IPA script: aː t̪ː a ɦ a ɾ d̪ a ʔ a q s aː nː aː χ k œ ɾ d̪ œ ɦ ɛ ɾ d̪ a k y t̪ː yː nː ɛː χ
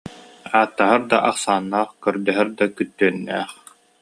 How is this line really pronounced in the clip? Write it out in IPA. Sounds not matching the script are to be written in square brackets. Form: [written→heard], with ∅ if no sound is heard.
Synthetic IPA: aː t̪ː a ɦ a ɾ d̪ a ʔ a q s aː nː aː χ k œ ɾ d̪ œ ɦ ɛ ɾ d̪ a k y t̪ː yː nː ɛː χ